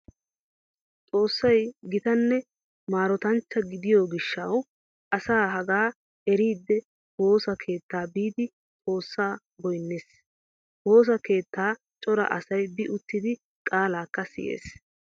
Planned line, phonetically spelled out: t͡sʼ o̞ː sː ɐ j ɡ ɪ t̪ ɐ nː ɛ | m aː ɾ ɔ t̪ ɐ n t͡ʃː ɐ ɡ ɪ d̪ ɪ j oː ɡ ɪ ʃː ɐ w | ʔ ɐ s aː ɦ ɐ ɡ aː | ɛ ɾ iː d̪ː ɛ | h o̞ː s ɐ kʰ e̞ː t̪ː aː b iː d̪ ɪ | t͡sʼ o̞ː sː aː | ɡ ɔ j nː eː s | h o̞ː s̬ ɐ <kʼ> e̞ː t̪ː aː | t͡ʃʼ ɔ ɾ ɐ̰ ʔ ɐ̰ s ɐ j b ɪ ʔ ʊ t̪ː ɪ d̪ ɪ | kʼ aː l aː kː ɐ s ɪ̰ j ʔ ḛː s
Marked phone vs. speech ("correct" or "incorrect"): incorrect